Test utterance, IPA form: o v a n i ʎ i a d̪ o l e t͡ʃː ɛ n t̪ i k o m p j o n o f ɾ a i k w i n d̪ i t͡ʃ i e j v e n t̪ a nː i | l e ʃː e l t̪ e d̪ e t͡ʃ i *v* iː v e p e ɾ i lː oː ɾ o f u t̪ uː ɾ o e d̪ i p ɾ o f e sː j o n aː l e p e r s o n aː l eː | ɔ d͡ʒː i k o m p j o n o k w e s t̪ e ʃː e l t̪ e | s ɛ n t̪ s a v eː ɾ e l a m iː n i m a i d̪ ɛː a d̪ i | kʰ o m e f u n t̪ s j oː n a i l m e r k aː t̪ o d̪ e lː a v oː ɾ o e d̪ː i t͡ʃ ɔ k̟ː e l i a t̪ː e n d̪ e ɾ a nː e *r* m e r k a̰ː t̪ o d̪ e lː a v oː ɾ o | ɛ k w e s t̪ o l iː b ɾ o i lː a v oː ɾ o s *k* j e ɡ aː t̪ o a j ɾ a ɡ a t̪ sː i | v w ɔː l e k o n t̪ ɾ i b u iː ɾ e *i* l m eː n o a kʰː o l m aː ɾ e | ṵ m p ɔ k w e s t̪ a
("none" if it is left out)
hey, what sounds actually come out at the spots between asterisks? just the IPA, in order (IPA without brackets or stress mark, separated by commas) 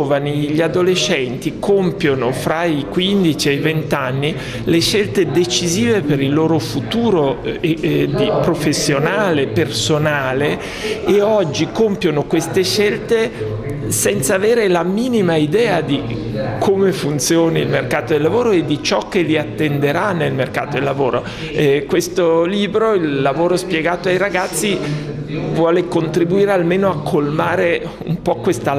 z, l, p, a